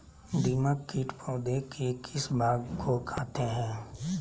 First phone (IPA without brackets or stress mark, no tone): d̪